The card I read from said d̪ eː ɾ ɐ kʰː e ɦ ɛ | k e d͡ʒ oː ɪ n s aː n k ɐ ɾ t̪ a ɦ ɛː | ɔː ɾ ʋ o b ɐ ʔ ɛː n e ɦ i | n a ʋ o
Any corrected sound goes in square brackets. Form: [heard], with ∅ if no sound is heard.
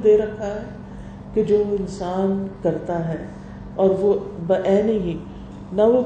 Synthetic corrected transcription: d̪ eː ɾ ɐ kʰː [a] ɦ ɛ | k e d͡ʒ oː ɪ n s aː n k ɐ ɾ t̪ a ɦ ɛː | ɔː ɾ ʋ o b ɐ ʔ ɛː n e ɦ i | n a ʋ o